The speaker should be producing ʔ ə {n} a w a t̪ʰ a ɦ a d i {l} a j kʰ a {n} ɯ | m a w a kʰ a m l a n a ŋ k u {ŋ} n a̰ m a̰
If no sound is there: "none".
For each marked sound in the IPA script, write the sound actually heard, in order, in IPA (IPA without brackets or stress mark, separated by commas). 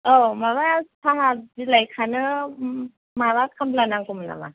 m, l, n, m